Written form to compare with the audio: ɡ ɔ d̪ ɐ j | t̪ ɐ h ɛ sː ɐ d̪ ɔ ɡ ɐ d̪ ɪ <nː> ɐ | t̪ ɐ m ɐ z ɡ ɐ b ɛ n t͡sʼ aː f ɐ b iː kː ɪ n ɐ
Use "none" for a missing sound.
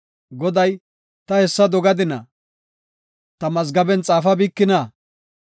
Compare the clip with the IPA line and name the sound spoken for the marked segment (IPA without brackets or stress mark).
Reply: n